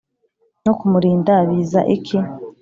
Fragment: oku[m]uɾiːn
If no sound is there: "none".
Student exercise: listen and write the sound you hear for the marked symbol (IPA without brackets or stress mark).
m